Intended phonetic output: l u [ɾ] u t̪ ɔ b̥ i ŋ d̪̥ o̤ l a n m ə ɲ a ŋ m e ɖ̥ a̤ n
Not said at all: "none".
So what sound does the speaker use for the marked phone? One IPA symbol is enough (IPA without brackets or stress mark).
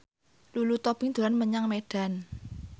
l